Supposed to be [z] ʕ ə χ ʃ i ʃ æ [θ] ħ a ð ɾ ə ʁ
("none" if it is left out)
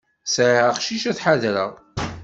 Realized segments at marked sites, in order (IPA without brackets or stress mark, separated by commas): s, θ